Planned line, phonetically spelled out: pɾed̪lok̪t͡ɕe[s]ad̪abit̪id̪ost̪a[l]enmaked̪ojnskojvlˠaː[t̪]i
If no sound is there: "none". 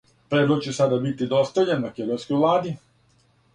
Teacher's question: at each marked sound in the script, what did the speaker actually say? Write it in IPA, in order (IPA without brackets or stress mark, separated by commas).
s, ʎ, d̪